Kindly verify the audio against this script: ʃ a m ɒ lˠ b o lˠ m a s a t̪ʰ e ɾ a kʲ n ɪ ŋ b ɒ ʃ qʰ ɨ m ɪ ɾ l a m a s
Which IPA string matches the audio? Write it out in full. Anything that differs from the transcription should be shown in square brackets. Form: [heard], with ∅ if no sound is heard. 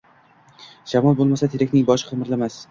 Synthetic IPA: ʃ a m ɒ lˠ b o lˠ m a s a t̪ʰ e ɾ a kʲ n ɪ ŋ b ɒ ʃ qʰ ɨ m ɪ ɾ l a m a s